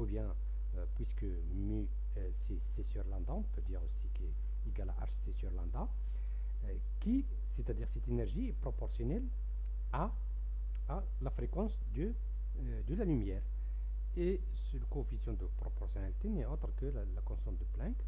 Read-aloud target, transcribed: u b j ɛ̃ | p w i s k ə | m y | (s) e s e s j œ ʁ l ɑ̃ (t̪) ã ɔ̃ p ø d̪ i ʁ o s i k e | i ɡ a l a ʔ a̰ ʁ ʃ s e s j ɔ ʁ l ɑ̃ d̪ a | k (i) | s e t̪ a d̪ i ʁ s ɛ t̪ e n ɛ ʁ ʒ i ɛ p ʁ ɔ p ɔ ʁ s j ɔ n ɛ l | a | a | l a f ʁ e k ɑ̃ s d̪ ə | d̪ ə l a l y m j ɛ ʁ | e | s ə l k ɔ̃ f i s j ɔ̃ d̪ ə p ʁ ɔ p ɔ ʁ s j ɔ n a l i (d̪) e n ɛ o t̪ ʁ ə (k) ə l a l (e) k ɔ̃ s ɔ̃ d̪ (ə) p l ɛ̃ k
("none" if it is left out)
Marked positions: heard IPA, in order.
s, d̪, i, t̪, k, a, ə

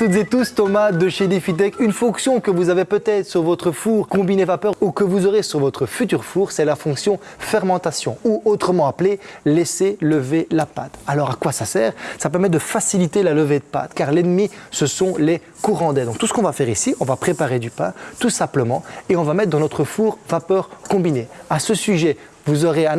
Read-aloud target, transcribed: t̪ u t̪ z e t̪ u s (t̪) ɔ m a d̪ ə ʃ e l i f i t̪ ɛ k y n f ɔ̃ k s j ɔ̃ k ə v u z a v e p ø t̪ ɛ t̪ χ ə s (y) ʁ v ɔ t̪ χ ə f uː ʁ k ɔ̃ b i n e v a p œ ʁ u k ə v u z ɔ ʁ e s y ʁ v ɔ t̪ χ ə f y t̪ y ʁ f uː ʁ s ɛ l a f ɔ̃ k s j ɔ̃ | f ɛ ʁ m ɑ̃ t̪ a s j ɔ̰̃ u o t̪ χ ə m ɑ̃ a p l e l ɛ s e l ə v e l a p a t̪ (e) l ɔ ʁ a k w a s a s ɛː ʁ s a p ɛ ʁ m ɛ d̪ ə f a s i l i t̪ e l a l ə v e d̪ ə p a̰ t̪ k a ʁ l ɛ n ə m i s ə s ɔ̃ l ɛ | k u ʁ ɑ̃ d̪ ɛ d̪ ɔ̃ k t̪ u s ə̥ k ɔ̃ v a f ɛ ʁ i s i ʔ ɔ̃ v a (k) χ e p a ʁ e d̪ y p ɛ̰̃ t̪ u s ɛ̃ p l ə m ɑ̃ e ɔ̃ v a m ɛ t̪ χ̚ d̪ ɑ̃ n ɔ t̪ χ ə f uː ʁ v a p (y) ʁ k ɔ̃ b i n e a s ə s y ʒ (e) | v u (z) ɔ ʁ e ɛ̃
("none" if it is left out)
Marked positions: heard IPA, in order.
t̪, y, a, p, œ, ɛ, z

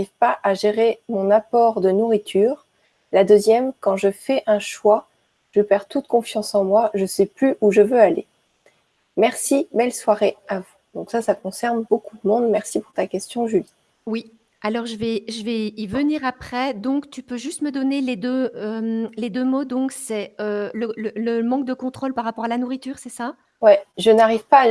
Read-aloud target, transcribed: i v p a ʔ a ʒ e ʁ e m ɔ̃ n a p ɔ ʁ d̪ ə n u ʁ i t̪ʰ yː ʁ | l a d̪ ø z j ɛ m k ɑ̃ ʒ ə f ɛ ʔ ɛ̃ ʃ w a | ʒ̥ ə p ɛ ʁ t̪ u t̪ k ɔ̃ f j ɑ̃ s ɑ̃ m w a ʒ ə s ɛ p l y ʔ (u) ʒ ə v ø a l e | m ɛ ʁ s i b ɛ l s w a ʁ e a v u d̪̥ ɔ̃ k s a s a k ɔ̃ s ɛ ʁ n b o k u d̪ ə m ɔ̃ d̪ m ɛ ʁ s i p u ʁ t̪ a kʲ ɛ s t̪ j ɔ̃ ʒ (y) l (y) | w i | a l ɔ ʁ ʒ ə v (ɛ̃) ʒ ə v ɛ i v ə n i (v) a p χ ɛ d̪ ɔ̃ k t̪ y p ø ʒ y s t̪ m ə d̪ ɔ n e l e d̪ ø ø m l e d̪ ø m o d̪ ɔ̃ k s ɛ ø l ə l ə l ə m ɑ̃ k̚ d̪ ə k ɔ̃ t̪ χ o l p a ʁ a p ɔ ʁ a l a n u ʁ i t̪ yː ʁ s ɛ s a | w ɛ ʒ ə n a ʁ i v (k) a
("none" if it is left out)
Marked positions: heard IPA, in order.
u, y, i, ɛ, ʁ, p

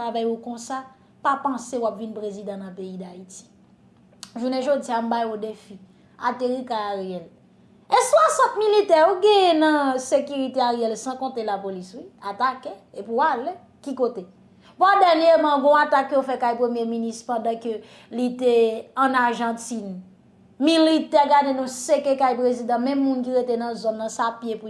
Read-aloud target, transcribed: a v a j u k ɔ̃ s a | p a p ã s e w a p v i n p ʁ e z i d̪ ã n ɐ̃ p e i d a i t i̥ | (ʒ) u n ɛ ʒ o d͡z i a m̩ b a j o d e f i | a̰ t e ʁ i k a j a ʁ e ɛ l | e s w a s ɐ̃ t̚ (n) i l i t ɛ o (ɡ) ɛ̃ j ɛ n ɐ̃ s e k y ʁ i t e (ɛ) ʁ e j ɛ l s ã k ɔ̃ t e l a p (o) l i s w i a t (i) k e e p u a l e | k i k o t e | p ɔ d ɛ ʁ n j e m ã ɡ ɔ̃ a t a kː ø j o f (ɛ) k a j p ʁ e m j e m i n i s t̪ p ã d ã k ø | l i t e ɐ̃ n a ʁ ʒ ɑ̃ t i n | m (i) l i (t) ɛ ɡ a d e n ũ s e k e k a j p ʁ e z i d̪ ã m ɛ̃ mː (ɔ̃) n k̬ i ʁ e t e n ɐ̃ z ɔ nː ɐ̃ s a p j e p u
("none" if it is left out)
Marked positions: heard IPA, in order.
ʒ, m, ɡ, a, o, a, ɛ, i, t, ũ

